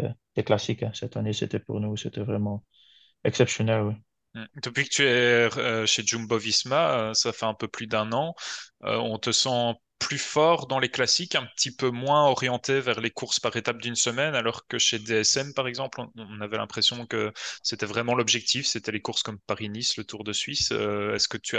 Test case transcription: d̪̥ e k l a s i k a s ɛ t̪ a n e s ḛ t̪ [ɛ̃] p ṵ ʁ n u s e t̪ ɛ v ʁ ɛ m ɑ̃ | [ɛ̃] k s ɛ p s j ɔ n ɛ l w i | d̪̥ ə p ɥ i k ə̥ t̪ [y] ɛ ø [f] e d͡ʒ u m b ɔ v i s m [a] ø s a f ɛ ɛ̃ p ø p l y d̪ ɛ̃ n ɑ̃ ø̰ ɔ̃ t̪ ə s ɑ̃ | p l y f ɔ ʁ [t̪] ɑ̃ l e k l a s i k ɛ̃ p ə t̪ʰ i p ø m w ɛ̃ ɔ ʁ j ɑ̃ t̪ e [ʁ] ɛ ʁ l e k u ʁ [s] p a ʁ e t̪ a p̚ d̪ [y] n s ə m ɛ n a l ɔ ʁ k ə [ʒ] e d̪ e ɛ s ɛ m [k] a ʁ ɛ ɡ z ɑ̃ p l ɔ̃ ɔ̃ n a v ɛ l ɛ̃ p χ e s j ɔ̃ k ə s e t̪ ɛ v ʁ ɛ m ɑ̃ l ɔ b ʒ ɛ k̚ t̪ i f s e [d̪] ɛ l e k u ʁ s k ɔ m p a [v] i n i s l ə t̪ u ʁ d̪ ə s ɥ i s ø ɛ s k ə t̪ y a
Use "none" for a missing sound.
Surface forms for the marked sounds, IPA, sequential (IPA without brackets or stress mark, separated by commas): ɛ, ɛ, y, ʃ, a, d̪, v, s, y, ʃ, p, t̪, ʁ